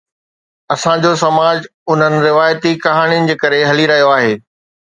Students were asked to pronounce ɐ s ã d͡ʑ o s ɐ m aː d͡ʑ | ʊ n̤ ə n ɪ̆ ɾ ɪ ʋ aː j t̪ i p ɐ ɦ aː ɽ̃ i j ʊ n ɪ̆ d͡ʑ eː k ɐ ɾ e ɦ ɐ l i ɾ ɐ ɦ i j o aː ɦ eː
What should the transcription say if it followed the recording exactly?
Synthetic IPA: ɐ s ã d͡ʑ o s ɐ m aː d͡ʑ | ʊ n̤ ə n ɪ̆ ɾ ɪ ʋ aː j t̪ i k ɐ ɦ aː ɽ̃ i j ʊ n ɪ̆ d͡ʑ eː k ɐ ɾ e ɦ ɐ l i ɾ ɐ ɦ i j o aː ɦ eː

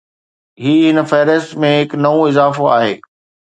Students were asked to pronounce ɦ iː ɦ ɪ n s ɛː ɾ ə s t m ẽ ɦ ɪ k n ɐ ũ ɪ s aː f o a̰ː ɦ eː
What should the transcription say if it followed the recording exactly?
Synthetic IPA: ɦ iː ɦ ɪ n f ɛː ɾ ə s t m ẽ ɦ ɪ k n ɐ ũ ɪ z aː f o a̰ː ɦ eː

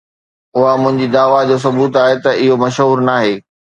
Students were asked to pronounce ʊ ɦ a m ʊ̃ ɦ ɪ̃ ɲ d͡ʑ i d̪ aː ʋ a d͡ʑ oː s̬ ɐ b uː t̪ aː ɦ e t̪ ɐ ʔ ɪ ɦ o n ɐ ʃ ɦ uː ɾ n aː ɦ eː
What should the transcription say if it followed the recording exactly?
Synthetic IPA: ʊ ɦ a m ʊ̃ ɦ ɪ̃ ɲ d͡ʑ i d̪ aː ʋ a d͡ʑ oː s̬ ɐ b uː t̪ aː ɦ e t̪ ɐ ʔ ɪ ɦ o m ɐ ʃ ɦ uː ɾ n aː ɦ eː

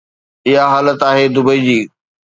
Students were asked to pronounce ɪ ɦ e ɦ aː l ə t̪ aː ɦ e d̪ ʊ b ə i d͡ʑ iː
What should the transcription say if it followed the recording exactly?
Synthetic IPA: ɪ ɦ a ɦ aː l ə t̪ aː ɦ e d̪ ʊ b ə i d͡ʑ iː

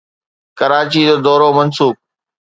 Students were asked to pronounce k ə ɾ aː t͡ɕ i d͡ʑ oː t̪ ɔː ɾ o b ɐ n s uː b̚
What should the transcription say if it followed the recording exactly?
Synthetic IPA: k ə ɾ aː t͡ɕ i d͡ʑ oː d̪ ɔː ɾ o m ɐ n s uː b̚

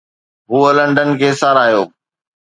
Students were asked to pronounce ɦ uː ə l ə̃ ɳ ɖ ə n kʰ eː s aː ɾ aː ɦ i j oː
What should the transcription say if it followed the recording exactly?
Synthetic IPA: ɦ uː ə l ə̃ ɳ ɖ ə n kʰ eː s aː ɾ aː ɦ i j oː

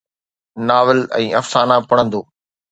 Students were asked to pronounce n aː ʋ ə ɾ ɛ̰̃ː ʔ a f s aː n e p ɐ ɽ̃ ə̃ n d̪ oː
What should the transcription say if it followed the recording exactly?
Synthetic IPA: n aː ʋ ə l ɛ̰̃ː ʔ ɐ f s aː n a p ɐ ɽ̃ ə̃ n d̪ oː

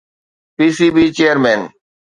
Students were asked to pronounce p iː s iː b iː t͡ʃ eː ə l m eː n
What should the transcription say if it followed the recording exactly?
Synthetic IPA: p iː s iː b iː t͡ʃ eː ə ɾ m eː n

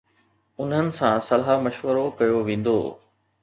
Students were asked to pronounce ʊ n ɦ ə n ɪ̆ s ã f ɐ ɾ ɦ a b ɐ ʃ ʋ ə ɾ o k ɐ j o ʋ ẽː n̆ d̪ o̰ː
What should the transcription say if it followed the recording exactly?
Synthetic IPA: ʊ n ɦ ə n ɪ̆ s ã s ɐ l ɦ a m ɐ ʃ ʋ ə ɾ o k ɐ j o ʋ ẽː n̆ d̪ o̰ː

